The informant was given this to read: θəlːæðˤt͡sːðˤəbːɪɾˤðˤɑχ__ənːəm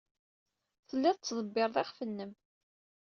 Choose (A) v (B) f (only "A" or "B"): B